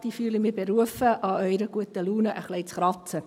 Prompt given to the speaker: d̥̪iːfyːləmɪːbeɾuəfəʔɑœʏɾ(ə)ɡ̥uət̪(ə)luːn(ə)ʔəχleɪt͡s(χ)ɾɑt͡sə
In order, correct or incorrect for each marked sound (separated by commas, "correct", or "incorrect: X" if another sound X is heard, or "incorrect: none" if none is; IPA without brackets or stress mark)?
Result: correct, correct, correct, correct